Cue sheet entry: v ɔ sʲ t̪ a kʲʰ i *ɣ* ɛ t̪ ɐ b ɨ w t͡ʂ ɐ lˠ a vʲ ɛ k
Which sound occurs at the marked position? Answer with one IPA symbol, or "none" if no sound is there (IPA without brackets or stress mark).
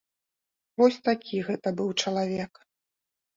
ɣ